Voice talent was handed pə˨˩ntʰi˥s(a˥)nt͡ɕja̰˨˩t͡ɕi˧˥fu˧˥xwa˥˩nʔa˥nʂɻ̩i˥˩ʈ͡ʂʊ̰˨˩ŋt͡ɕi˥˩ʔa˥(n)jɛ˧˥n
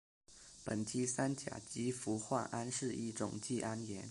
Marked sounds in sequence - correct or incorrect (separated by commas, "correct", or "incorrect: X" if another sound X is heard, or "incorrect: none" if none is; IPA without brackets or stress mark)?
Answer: correct, correct